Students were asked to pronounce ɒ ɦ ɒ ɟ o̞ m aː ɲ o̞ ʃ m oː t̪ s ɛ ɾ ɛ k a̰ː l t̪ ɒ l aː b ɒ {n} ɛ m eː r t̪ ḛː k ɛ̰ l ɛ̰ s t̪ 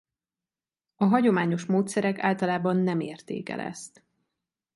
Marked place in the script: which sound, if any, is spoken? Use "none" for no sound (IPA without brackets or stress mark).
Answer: nː